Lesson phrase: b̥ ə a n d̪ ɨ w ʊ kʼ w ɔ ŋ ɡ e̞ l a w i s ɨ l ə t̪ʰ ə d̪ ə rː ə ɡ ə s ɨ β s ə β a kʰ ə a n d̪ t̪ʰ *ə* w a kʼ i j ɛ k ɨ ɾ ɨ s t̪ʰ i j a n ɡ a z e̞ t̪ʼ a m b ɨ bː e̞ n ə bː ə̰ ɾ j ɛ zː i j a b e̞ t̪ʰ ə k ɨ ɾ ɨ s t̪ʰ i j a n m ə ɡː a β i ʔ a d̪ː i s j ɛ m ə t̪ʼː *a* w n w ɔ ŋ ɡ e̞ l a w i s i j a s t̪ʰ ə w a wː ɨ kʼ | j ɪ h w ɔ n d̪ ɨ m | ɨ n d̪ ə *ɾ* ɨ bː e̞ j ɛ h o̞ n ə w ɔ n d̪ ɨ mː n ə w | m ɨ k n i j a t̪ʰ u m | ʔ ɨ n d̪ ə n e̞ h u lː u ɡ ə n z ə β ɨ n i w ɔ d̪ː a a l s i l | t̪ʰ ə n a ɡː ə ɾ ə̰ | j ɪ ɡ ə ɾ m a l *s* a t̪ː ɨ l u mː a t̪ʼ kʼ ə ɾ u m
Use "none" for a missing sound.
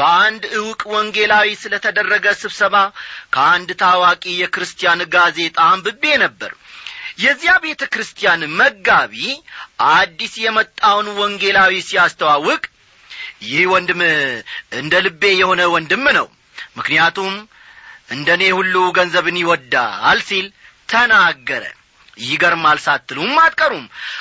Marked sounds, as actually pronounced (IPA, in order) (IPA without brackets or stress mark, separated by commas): a, a, l, s